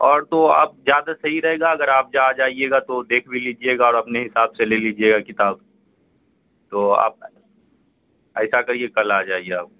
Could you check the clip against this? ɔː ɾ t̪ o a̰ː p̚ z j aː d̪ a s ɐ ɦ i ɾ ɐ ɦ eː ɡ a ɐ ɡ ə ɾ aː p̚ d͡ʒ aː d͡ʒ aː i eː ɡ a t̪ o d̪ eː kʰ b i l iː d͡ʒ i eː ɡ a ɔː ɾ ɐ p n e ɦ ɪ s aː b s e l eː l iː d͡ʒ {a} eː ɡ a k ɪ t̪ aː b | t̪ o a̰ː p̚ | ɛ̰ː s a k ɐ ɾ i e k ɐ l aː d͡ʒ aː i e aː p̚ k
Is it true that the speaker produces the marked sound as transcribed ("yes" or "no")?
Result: no